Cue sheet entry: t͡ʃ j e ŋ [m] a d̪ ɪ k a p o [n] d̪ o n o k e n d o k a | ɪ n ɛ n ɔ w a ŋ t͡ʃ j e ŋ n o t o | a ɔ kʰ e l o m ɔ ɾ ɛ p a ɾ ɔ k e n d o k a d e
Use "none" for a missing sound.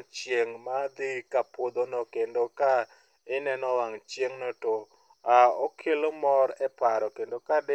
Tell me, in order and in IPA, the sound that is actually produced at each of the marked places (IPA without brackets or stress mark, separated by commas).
m, none